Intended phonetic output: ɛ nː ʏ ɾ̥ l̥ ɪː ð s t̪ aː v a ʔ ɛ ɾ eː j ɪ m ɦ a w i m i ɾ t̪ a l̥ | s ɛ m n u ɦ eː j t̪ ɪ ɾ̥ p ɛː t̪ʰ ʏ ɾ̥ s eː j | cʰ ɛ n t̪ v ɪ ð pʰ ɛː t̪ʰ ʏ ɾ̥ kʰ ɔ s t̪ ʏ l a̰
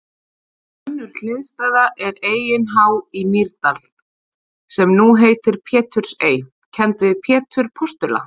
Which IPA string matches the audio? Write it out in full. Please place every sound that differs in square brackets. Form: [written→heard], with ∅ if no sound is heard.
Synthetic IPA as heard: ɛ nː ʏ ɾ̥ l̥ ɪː ð s t̪ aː [v→ð] a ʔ ɛ ɾ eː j ɪ [m→n] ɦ a w i m i ɾ t̪ a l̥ | s ɛ m n u ɦ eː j t̪ ɪ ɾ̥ [p→pʰ] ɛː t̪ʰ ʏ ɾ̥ s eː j | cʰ ɛ n t̪ v ɪ ð pʰ ɛː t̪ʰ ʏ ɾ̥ [kʰ→pʰ] ɔ s t̪ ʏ l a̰